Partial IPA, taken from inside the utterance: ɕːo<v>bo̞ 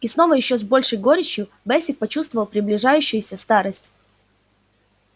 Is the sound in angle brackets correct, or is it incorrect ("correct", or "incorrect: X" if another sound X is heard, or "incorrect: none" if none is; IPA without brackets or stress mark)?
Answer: incorrect: z